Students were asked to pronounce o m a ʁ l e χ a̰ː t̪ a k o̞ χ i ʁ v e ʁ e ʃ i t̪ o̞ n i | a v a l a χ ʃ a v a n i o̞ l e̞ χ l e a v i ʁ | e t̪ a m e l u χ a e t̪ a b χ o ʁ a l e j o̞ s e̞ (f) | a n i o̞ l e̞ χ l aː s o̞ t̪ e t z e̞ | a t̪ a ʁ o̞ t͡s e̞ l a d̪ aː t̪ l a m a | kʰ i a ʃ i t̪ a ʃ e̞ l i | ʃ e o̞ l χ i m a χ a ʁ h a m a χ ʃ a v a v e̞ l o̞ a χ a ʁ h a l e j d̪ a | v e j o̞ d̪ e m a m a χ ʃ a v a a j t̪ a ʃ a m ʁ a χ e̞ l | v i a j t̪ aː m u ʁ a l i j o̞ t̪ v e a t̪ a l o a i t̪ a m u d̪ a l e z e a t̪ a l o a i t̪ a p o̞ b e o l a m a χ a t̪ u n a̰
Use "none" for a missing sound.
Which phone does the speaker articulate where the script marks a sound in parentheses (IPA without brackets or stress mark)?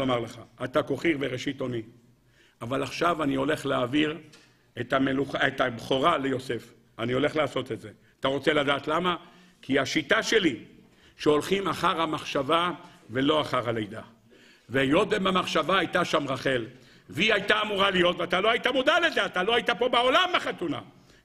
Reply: f